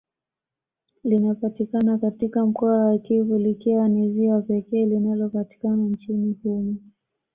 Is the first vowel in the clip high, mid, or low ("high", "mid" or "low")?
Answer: high